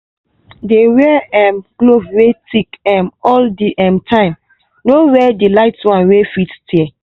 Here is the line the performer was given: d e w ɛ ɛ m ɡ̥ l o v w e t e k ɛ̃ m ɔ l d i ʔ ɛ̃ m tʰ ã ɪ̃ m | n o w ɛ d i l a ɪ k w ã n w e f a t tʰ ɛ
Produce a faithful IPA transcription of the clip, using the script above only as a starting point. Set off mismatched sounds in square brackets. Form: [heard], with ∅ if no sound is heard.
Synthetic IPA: d e w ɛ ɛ m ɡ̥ l o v w e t [i] k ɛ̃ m ɔ l d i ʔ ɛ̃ m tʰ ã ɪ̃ m | n o w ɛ d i l a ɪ [t] w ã n w e f [i] t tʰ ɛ